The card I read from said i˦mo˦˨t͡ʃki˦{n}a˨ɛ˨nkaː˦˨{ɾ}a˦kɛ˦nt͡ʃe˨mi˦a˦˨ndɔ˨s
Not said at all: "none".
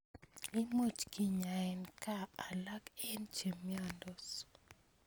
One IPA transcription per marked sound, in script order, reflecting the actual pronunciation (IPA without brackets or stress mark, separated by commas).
ɲ, l